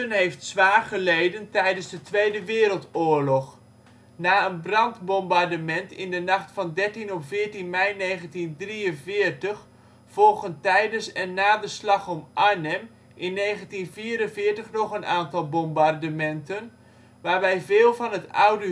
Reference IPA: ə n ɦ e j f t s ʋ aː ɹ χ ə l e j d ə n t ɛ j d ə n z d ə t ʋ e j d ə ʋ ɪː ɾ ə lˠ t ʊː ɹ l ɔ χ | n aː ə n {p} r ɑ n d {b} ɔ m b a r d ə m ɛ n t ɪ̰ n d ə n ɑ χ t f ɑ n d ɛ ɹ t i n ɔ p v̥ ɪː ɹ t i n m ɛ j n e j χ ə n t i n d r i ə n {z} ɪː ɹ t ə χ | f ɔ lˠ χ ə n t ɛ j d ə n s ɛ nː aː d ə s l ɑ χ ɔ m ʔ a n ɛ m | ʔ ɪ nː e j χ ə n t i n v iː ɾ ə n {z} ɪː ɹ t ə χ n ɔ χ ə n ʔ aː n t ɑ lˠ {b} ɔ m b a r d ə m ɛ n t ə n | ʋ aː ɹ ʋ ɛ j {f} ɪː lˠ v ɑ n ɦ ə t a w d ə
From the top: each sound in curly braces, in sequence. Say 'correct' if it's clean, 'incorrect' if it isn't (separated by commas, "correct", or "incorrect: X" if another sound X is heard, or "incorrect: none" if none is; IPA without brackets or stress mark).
incorrect: b, correct, incorrect: v, incorrect: v, correct, incorrect: v